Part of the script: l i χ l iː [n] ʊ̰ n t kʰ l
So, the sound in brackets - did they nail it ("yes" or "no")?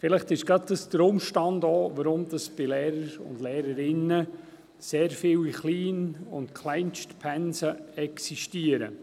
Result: yes